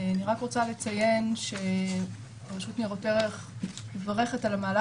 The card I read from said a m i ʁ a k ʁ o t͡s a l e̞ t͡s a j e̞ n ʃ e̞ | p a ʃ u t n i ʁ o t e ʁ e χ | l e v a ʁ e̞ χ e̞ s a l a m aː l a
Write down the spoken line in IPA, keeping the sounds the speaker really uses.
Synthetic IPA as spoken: a n i ʁ a k ʁ o t͡s a l e̞ t͡s a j e̞ n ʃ e̞ | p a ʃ u t n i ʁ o t e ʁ e χ | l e v a ʁ e̞ χ e̞ t a l a m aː l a